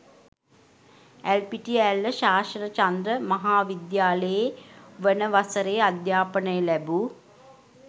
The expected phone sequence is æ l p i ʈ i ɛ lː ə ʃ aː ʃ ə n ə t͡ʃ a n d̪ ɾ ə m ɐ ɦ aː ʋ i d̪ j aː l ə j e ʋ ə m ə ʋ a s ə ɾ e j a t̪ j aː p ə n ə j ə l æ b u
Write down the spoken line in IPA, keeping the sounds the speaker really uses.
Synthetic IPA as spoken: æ l p i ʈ i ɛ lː ə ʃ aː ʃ ə n ə t͡ʃ a n d̪ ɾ ə m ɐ ɦ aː ʋ i d̪ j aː l ə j e ʋ ə n ə ʋ a s ə ɾ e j a d̪ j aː p ə n ə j ə l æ b u